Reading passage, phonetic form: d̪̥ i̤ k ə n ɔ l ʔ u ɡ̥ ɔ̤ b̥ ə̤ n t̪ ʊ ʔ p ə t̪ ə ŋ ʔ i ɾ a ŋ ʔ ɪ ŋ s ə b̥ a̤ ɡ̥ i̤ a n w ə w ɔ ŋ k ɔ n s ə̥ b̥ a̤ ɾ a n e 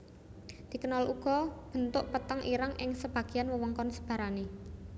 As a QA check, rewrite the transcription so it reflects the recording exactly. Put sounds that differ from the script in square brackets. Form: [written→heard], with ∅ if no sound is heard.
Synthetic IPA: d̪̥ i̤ k ə n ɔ l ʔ u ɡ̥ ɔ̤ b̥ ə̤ n t̪ ʊ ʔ p ə t̪ ə ŋ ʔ i ɾ a ŋ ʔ ɪ ŋ s ə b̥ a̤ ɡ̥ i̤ a n w ə w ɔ ŋ k ɔ n s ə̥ b̥ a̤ ɾ a n e